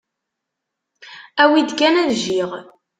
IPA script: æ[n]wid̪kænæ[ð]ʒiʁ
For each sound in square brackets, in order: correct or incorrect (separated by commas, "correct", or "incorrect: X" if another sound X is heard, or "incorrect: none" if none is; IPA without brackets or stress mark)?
incorrect: none, correct